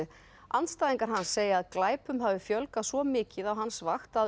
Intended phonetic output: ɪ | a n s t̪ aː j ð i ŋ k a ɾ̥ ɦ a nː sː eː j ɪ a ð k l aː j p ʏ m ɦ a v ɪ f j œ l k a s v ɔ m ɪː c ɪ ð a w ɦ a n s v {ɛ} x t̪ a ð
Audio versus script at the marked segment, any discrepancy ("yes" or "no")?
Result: yes